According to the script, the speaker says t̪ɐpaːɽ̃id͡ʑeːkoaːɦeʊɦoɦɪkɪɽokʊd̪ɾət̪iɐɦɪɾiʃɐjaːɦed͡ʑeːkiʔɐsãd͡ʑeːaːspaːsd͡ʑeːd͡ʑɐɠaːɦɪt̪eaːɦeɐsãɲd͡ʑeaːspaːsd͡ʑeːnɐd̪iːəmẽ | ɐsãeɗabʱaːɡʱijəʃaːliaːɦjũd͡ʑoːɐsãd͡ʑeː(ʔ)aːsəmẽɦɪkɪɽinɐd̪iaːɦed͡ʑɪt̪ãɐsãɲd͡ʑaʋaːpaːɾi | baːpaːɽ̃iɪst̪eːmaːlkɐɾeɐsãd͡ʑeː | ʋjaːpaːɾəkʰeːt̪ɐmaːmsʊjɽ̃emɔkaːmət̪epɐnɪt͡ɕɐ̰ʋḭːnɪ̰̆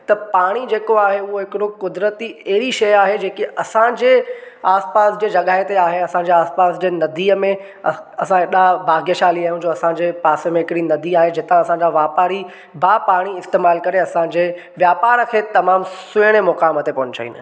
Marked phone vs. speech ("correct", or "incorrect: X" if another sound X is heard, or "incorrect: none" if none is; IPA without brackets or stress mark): incorrect: p